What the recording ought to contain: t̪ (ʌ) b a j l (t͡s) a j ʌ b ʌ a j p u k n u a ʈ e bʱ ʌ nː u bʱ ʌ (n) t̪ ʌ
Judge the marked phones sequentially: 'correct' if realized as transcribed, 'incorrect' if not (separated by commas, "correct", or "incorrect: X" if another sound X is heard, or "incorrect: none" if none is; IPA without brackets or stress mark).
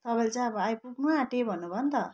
correct, correct, correct